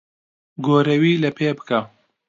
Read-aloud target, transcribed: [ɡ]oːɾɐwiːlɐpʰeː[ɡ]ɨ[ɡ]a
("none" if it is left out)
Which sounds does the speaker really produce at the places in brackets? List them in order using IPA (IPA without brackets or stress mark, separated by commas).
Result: ɡ, b, k